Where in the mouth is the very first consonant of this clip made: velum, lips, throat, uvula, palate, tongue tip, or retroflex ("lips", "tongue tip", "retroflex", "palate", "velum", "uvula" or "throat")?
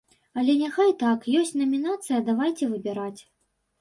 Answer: tongue tip